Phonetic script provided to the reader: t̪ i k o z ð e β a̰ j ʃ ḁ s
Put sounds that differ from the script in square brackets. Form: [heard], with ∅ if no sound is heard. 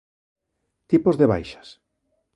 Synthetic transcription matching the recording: t̪ i [p] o z ð e β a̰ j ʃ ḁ s